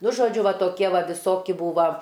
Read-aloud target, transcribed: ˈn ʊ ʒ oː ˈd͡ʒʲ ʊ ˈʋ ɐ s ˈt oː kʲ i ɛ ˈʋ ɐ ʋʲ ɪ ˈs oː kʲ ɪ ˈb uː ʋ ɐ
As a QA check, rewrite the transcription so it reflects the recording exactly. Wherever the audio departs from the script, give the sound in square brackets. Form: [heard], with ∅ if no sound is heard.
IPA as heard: ˈn ʊ ʒ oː ˈd͡ʒʲ ʊ ˈʋ ɐ [∅] ˈt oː kʲ i ɛ ˈʋ ɐ ʋʲ ɪ ˈs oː kʲ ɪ ˈb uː ʋ ɐ